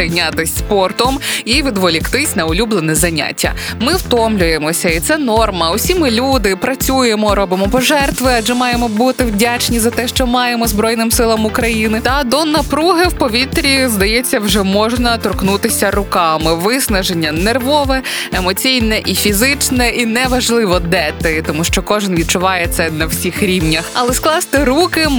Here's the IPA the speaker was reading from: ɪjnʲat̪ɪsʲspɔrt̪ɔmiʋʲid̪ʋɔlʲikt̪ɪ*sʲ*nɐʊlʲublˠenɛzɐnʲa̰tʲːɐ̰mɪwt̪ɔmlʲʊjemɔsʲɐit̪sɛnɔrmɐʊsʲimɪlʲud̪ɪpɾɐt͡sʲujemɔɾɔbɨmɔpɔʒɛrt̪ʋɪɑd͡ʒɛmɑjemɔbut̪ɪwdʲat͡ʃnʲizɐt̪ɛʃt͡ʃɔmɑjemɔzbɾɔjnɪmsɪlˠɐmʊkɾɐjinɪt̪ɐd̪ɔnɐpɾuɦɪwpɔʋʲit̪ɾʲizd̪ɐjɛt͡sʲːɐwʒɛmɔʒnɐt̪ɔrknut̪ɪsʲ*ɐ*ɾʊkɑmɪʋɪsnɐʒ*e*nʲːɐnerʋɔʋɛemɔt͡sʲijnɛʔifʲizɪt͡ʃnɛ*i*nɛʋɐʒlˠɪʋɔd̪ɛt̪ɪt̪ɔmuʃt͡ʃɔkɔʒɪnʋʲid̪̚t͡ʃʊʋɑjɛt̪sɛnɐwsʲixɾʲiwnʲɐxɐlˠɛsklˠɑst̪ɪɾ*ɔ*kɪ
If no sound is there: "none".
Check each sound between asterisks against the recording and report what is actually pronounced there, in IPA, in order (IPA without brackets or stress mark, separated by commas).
sʲ, ɐ, e, i, u